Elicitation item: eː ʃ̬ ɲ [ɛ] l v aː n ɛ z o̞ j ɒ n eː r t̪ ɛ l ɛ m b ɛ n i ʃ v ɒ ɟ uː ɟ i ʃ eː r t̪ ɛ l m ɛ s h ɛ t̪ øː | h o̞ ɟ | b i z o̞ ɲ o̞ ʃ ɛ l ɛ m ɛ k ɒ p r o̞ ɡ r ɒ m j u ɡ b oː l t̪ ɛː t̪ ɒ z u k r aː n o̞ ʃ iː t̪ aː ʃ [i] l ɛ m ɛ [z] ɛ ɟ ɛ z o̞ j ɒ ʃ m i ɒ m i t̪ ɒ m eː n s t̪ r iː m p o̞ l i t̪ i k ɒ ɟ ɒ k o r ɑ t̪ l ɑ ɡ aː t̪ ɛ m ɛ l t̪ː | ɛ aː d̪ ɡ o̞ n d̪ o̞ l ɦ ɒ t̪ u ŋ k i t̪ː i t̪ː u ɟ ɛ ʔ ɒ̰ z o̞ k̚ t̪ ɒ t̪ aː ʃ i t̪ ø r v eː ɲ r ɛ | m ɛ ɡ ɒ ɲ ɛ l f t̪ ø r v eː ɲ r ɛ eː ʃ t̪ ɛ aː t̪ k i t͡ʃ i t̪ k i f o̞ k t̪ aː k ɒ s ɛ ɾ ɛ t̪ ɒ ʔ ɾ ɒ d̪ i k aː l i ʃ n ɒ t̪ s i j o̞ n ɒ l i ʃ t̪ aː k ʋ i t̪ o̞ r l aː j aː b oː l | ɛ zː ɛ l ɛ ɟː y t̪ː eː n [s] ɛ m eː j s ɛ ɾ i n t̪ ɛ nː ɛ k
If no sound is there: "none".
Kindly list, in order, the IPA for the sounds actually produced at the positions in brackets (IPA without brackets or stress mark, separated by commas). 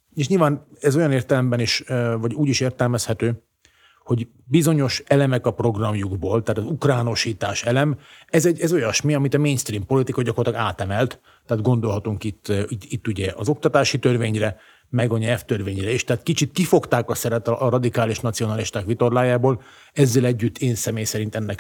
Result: i, ɛ, z, s